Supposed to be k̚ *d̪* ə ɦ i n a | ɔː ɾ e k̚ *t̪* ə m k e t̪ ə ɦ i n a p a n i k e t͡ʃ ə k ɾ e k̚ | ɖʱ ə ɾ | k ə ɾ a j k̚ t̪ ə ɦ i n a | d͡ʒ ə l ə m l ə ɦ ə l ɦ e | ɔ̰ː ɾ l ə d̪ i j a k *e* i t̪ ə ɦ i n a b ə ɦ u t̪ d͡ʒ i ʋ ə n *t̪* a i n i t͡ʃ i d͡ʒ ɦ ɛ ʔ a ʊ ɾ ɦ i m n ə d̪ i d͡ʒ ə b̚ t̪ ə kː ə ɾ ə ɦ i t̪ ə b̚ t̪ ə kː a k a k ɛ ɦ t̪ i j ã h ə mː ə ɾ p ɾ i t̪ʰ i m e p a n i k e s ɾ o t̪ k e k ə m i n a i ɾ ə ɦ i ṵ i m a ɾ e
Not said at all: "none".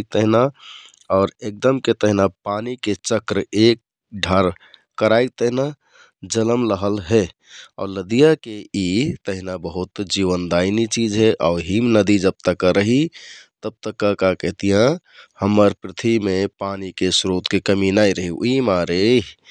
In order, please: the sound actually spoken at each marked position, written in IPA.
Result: t̪, d̪, e, d̪

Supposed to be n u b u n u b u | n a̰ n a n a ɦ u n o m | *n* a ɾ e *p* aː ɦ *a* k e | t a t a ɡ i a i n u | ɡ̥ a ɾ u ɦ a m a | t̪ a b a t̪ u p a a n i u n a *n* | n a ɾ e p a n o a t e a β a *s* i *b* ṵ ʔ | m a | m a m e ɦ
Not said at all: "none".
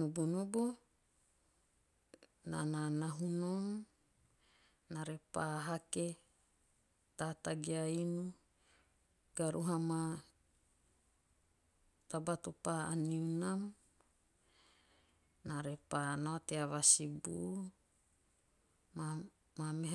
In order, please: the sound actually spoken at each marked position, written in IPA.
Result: n, p, a, m, s, b

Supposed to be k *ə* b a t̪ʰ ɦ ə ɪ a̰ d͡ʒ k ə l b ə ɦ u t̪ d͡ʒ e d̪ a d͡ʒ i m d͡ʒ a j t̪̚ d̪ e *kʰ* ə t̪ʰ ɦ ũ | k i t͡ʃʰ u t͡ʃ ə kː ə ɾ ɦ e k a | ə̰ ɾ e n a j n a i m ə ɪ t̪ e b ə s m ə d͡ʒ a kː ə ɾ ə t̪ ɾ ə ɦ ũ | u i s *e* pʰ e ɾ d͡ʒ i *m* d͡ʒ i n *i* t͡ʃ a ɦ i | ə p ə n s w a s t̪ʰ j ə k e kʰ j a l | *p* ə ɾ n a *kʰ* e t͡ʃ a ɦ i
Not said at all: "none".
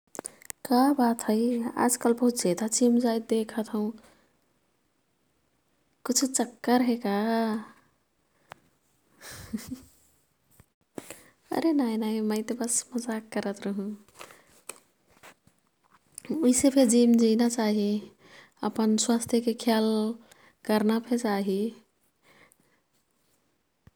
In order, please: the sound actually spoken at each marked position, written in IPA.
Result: a, kʰ, e, m, a, k, pʰ

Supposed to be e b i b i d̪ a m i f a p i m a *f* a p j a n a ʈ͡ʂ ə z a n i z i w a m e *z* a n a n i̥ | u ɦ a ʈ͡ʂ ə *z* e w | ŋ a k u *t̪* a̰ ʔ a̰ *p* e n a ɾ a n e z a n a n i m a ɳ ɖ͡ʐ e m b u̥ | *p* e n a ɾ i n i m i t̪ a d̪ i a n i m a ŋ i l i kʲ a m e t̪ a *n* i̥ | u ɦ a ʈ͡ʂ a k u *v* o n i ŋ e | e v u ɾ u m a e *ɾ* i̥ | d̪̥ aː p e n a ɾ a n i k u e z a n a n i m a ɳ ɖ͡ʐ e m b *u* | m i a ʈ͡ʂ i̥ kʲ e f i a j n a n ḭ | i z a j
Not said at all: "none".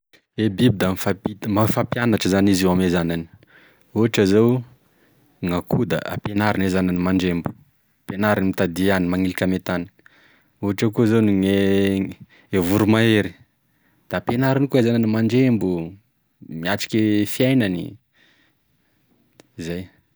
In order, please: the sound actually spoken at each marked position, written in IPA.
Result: f, z, z, d̪, p, p, n, z, ɾ, u

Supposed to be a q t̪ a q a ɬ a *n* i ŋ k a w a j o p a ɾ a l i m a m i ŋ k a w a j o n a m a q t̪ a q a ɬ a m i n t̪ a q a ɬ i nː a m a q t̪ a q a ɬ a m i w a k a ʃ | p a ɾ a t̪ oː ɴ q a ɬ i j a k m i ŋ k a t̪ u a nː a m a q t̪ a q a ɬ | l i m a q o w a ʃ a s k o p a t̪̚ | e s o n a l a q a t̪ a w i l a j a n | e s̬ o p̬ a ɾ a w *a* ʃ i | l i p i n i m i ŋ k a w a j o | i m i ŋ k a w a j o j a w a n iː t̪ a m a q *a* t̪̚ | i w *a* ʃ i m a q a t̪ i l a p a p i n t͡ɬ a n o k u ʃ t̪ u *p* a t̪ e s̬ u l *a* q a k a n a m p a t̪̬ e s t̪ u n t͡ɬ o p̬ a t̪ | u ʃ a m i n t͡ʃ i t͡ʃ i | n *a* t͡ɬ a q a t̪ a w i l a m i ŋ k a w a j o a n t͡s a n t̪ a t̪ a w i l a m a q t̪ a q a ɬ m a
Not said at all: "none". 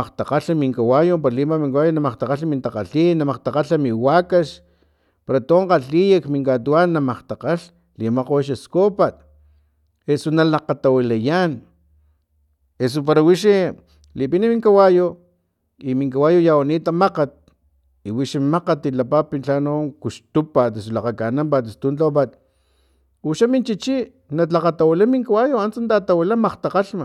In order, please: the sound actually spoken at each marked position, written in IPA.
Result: m, i, a, i, p, a, a

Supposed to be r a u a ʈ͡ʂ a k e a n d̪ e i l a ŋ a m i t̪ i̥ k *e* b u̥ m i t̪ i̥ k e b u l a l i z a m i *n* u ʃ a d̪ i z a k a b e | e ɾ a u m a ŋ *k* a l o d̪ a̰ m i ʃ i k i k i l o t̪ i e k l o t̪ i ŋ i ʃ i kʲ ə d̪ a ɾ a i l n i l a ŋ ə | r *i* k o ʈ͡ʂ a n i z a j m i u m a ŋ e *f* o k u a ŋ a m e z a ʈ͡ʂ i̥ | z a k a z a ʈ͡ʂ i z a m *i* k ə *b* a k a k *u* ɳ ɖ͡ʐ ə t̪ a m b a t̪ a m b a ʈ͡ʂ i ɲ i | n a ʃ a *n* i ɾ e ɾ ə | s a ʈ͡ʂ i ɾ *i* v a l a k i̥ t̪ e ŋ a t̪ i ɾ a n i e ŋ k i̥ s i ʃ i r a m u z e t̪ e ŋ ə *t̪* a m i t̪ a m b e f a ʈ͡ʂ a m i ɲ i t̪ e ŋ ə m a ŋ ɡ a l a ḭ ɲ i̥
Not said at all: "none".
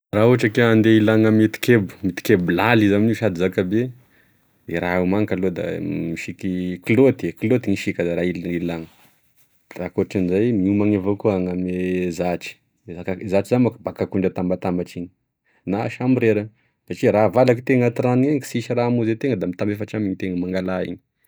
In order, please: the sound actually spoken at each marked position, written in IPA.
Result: e, n, k, a, v, a, b, u, m, a, d̪

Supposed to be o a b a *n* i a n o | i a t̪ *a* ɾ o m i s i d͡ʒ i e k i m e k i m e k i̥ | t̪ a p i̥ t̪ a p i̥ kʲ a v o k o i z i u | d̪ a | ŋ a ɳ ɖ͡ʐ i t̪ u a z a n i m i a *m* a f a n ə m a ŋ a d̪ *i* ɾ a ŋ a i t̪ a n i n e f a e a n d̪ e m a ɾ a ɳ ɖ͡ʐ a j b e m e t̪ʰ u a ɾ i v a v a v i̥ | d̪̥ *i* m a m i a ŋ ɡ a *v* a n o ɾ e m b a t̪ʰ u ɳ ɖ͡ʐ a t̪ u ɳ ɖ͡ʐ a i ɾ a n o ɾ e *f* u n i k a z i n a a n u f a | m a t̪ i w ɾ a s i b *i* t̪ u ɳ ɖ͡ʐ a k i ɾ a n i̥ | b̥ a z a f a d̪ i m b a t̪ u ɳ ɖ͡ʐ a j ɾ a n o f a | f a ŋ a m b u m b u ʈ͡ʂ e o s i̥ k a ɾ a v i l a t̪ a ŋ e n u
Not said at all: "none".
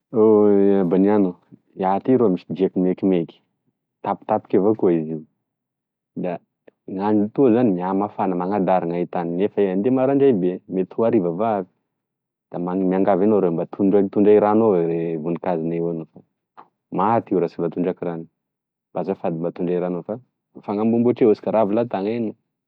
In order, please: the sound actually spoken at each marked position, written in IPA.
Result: n, i, m, a, a, v, v, a

